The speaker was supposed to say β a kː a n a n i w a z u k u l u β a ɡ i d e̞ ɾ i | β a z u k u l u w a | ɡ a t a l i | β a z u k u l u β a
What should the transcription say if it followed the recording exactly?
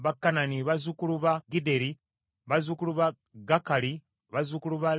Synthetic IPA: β a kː a n a n i β a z u k u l u β a ɡ i d e̞ ɾ i | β a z u k u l u β a | ɡ a k a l i | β a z u k u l u β a